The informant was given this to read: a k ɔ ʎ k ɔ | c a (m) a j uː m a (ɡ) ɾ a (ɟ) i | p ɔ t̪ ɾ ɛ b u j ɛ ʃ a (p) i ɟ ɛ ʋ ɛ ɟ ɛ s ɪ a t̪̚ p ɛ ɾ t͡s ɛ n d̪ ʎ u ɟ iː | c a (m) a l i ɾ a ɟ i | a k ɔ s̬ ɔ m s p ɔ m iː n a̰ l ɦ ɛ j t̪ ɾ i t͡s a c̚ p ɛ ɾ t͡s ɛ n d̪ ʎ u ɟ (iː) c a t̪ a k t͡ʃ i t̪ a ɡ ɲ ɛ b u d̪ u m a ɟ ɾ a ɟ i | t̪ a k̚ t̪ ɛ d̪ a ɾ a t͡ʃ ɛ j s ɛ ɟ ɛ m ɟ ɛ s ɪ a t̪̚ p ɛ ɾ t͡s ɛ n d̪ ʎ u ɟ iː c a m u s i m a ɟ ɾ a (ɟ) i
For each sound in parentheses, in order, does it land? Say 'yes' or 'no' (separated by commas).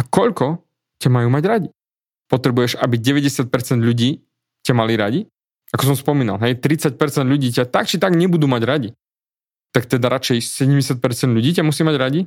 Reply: yes, no, yes, no, yes, yes, yes